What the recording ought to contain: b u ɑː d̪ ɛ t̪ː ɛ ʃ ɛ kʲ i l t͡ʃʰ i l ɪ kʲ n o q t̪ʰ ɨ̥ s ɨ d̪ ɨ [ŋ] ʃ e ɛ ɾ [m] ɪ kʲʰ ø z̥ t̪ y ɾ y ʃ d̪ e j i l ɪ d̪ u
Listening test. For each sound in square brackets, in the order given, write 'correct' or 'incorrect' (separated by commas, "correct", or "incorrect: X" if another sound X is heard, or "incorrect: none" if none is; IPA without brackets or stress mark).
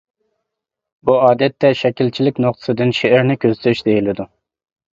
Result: incorrect: n, incorrect: n